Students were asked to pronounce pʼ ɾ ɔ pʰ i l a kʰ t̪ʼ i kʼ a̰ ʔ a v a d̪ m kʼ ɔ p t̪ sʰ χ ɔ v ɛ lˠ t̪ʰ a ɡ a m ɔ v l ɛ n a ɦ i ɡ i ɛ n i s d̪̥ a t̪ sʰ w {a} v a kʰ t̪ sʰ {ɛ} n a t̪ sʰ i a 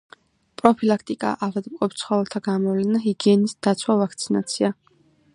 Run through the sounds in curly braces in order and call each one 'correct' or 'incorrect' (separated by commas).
correct, incorrect